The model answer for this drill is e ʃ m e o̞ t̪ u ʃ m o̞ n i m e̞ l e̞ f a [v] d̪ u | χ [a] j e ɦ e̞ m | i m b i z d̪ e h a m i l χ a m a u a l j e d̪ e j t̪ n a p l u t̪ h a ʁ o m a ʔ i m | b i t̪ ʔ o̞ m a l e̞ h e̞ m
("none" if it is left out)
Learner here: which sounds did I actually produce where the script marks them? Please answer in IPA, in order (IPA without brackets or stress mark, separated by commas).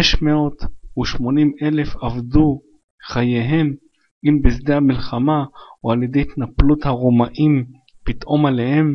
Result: v, a